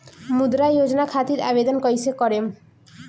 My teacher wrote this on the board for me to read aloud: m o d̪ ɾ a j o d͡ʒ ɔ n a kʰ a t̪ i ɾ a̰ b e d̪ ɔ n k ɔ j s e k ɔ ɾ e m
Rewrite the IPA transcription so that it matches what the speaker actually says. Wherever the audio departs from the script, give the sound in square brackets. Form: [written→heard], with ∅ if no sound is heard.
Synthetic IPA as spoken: m [o→u] d̪ ɾ a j o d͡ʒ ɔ n a kʰ a t̪ i ɾ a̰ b e d̪ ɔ n k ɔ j s e k ɔ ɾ e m